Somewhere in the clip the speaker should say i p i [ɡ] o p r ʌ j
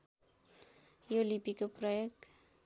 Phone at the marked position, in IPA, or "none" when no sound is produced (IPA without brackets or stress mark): k